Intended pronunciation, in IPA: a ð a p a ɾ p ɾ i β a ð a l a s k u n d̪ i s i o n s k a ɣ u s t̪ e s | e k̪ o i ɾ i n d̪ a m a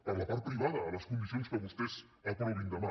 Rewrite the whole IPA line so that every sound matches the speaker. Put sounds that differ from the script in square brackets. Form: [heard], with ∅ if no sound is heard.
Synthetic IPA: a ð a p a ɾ p ɾ i β a ð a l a s k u n d̪ i s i o n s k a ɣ u s t̪ e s | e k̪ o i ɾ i n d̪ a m a